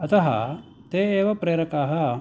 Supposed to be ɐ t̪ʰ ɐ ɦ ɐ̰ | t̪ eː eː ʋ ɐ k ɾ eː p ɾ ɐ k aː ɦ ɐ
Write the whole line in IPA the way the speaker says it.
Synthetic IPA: ɐ t̪ ɐ ɦ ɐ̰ | t̪ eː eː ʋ ɐ p ɾ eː ɾ ɐ k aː ɦ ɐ